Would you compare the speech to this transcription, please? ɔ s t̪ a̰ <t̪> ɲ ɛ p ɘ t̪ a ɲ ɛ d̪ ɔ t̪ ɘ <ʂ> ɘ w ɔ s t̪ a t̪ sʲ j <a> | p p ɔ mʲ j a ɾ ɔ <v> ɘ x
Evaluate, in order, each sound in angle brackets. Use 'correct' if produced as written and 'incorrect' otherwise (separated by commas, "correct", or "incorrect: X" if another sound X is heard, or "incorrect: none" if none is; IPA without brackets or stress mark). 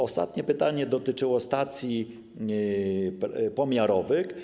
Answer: correct, incorrect: t͡ʂ, incorrect: i, correct